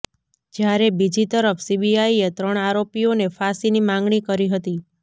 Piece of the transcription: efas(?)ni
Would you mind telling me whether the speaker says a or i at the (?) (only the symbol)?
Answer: i